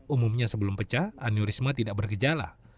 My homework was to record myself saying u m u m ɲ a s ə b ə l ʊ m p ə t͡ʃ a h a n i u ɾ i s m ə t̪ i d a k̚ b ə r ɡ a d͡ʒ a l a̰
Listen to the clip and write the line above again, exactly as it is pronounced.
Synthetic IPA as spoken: u m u m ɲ a s ə b ə l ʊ m p ə t͡ʃ a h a n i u ɾ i s m a t̪ i d a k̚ b ə r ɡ ə d͡ʒ a l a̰